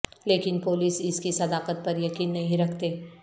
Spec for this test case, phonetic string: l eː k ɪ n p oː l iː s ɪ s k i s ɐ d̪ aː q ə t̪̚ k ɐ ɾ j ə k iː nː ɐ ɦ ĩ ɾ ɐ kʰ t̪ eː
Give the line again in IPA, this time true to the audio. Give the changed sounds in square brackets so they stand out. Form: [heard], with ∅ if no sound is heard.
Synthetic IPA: l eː k ɪ n p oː l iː s ɪ s k i s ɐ d̪ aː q ə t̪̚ [p] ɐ ɾ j [ɐ] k iː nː ɐ ɦ ĩ ɾ ɐ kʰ t̪ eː